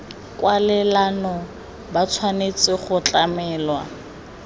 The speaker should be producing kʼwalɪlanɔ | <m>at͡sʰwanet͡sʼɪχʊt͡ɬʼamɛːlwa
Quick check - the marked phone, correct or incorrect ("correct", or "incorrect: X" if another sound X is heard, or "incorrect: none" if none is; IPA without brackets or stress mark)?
incorrect: b